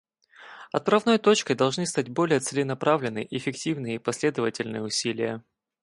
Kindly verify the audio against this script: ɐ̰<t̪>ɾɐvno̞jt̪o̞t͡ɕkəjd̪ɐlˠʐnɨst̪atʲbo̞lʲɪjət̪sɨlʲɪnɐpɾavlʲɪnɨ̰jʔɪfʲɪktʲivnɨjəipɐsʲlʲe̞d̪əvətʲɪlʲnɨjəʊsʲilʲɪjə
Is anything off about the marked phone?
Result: no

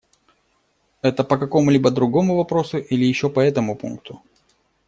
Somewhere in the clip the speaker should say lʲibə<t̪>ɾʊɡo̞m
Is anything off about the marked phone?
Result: yes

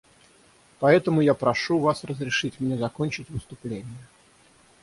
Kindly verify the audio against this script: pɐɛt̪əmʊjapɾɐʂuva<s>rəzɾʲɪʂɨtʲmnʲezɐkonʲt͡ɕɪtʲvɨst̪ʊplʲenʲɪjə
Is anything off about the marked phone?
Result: no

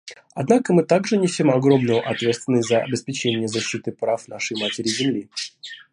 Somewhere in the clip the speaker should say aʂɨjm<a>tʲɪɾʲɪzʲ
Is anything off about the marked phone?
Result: no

